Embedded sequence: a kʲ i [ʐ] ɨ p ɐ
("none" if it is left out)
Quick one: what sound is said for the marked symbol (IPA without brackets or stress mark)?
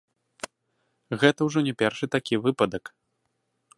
v